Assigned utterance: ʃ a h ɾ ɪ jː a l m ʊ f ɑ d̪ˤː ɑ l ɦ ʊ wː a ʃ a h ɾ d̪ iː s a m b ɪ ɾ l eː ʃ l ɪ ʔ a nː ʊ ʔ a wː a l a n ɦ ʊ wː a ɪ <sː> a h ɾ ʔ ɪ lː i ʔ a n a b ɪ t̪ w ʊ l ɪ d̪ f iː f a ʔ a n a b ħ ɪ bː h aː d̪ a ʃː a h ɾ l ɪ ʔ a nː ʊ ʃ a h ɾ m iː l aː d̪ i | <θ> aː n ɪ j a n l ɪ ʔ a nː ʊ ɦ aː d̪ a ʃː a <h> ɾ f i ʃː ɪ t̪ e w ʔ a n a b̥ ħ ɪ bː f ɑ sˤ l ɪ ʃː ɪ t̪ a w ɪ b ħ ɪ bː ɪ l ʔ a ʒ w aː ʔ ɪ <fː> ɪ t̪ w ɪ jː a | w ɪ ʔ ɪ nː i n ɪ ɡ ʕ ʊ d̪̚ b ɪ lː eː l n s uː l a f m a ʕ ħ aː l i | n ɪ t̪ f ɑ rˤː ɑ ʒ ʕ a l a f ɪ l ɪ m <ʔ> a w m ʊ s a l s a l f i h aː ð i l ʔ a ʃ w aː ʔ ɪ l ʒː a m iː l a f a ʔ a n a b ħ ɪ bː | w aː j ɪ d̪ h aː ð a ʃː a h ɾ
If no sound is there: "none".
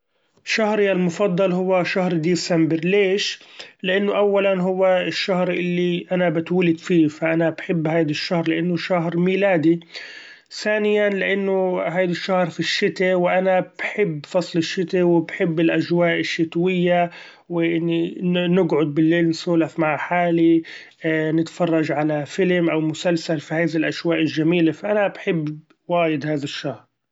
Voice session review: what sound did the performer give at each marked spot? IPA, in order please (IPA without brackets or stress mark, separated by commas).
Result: ʃː, θ, h, ʃː, ʔ